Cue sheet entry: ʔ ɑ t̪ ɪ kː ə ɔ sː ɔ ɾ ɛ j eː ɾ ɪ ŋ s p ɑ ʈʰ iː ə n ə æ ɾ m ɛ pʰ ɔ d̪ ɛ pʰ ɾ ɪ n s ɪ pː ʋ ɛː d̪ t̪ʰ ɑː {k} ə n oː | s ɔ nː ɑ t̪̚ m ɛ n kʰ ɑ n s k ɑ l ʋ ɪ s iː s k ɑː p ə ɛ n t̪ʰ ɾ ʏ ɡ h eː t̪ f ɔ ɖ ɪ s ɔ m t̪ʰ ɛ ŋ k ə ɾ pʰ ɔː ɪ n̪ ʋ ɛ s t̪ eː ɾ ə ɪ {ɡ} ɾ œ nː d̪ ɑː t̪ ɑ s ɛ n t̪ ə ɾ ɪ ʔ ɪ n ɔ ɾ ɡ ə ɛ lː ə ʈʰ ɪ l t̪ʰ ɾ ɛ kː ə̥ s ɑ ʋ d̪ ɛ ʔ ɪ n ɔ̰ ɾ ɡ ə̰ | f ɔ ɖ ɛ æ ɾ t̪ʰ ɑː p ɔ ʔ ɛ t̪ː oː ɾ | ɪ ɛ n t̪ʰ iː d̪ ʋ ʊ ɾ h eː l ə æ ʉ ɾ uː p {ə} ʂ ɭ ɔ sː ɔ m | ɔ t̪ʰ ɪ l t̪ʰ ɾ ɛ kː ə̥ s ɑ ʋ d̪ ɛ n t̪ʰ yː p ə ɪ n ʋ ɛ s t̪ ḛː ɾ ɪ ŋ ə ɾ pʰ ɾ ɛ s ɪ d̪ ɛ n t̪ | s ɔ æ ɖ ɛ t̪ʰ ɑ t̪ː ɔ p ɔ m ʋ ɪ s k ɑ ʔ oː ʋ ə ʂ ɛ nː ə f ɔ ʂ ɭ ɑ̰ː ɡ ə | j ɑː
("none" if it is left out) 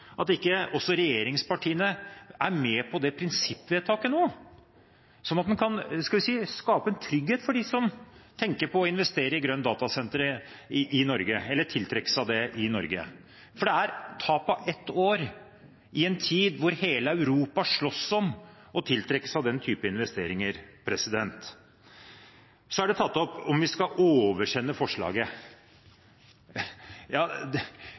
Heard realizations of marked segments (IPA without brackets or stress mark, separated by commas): k, ɡ, ɑ